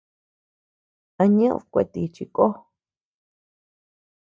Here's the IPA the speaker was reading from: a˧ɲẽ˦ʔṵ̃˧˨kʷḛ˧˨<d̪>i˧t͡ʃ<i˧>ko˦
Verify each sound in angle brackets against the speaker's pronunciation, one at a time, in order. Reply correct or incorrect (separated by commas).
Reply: incorrect, correct